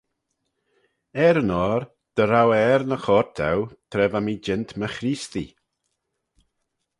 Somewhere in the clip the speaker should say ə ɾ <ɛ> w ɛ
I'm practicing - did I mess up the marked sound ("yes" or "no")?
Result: yes